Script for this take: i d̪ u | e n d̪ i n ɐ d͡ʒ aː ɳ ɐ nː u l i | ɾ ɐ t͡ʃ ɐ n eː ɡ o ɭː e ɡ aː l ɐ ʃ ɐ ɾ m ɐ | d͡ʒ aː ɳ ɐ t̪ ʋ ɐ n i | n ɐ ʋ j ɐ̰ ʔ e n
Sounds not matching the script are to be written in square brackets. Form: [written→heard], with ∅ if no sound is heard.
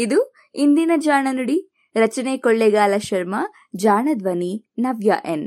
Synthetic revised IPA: i d̪ u | [e→i] n d̪ i n ɐ d͡ʒ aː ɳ ɐ [nː→n] u [l→ɽ] i | ɾ ɐ t͡ʃ ɐ n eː [ɡ→k] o ɭː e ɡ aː l ɐ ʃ ɐ ɾ m ɐ | d͡ʒ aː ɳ ɐ [t̪→d̪] ʋ ɐ n i | n ɐ ʋ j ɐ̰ ʔ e n